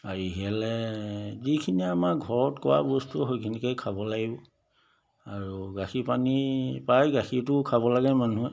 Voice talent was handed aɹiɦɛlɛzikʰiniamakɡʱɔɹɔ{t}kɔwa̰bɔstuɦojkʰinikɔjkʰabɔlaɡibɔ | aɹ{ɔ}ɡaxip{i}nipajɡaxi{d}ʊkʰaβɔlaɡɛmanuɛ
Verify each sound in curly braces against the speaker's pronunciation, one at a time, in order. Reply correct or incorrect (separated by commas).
correct, incorrect, incorrect, incorrect